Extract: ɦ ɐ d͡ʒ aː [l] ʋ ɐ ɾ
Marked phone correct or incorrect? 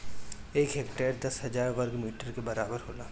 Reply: incorrect